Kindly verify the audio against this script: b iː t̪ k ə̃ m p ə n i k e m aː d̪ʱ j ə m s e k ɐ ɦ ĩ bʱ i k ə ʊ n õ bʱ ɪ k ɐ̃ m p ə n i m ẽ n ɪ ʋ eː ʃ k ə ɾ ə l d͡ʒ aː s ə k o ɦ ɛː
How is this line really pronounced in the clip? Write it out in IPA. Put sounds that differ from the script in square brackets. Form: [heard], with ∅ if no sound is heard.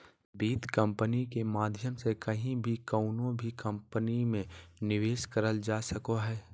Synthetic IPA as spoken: b iː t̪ k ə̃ m p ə n i k e m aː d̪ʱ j ə m s e k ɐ ɦ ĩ bʱ i k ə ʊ n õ bʱ [i] k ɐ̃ m p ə n i m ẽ n ɪ ʋ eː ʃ k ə ɾ ə l d͡ʒ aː s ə k o ɦ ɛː